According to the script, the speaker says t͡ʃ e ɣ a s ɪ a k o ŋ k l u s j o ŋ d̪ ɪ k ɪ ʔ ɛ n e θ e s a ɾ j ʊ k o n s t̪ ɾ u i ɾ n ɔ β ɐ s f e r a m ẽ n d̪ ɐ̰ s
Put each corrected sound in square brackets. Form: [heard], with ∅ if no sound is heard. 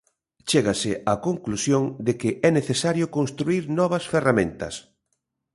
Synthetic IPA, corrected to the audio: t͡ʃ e ɣ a s ɪ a k o ŋ k l u s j o ŋ d̪ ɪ k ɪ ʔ ɛ n e θ e s a ɾ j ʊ k o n s t̪ ɾ u i ɾ n ɔ β ɐ s f e r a m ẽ n [t̪] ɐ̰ s